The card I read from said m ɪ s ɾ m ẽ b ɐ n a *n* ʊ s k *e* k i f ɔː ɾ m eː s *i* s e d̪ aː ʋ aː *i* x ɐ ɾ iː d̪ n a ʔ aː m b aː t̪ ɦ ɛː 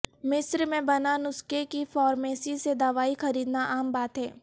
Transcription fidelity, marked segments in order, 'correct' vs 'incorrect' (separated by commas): correct, correct, correct, correct